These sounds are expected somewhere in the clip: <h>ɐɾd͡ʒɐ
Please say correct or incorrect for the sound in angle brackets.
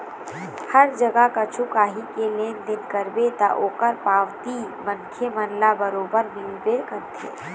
correct